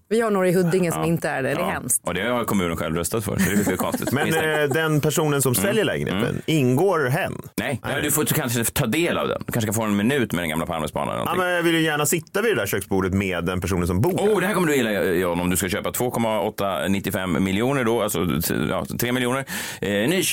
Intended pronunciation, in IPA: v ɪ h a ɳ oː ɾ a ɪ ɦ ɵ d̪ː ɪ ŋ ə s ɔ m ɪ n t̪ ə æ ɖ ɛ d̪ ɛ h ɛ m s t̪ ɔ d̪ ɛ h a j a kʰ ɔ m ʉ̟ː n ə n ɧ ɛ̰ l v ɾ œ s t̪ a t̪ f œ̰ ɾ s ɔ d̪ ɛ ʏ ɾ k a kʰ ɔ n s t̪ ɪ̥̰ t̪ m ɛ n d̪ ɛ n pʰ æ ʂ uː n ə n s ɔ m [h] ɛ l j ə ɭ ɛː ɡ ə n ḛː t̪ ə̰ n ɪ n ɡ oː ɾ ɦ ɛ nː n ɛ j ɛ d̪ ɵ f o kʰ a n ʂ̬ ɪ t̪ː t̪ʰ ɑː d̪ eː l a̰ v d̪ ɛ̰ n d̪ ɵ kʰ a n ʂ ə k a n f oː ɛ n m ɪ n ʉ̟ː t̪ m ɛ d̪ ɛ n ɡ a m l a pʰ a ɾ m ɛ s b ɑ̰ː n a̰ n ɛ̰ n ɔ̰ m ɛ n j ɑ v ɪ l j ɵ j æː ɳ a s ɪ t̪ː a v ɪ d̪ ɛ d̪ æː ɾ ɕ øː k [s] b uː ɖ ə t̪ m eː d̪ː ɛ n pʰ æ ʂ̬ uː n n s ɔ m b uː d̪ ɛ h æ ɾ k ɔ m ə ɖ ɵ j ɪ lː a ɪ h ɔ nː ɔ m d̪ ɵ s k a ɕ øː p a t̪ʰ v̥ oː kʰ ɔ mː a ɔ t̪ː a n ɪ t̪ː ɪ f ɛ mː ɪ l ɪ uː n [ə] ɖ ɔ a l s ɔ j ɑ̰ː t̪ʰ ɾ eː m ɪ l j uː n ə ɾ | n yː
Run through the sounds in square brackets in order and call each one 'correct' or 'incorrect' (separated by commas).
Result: incorrect, correct, correct